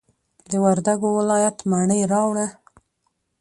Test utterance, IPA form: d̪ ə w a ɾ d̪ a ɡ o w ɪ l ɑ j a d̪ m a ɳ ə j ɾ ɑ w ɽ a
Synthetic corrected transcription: d̪ ə w a ɾ d̪ a ɡ o w ɪ l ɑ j a t̪ m a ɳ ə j ɾ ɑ w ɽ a